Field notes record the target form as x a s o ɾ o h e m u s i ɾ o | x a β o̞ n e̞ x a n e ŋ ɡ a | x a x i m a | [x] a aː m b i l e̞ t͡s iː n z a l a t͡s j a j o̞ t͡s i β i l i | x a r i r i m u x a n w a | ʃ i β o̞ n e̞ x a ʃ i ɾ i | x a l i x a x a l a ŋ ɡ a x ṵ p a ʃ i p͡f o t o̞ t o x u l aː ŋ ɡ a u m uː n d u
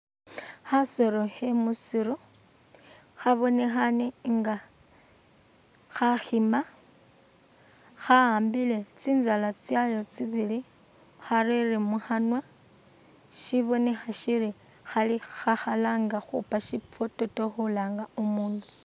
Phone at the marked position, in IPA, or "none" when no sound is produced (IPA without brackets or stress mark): x